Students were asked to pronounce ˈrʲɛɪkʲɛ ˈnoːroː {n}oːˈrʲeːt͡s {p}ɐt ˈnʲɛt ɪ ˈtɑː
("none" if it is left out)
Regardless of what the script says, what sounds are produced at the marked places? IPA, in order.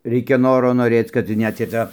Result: n, k

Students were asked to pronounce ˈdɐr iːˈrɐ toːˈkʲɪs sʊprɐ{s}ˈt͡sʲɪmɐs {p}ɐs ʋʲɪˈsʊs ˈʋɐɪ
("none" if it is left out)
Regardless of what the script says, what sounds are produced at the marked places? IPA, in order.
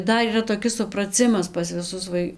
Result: none, p

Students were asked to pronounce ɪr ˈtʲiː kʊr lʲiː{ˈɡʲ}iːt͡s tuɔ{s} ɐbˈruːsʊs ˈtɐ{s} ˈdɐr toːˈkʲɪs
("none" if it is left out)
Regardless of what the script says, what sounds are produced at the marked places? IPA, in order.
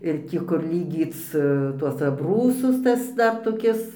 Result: ɡʲ, s, s

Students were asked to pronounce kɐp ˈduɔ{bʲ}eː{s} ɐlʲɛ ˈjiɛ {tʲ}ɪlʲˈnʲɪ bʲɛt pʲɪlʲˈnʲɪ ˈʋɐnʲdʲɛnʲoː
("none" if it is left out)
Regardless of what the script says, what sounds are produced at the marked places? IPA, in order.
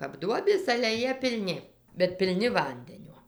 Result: bʲ, s, pʲ

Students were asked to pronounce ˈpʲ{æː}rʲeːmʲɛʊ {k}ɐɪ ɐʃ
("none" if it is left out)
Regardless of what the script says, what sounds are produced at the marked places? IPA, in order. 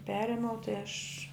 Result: æː, t

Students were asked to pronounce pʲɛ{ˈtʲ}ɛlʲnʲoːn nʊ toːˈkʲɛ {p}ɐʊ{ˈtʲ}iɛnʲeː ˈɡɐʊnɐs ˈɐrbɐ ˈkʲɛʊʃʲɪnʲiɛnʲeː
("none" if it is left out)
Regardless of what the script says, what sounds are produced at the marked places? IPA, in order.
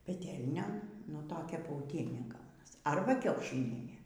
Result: tʲ, p, tʲ

